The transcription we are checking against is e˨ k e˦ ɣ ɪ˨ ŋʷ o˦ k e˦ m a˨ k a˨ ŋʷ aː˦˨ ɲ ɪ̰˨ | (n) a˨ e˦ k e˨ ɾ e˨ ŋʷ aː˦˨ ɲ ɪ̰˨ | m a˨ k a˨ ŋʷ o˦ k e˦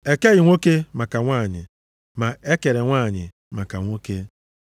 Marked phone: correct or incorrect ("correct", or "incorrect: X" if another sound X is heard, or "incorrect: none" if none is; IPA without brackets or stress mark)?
incorrect: m